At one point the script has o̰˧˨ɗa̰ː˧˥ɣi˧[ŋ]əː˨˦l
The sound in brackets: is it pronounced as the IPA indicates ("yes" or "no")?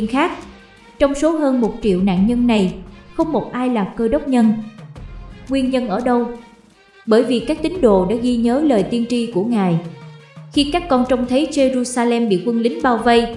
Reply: no